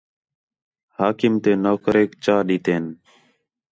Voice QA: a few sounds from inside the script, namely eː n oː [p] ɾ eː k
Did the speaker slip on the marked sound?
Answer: yes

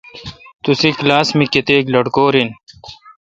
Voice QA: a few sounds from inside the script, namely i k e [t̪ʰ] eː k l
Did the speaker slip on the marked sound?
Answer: yes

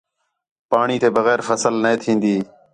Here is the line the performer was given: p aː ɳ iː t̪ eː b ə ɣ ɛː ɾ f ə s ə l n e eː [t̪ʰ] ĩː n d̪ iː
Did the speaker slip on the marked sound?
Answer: no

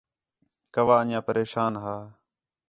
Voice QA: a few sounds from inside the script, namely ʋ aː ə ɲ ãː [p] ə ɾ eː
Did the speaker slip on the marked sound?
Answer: no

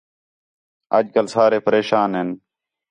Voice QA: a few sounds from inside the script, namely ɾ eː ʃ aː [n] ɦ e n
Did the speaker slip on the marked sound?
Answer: no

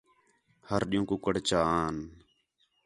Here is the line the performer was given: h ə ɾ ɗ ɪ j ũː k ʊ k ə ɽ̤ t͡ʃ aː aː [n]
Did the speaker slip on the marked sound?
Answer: no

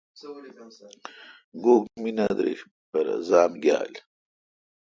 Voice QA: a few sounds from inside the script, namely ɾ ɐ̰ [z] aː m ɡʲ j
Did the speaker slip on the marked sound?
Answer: no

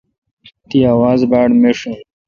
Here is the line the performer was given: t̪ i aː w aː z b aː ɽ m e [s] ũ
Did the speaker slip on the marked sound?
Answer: yes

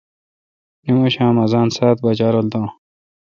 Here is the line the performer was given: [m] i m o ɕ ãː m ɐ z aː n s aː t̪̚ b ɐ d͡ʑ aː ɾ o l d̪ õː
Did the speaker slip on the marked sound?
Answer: yes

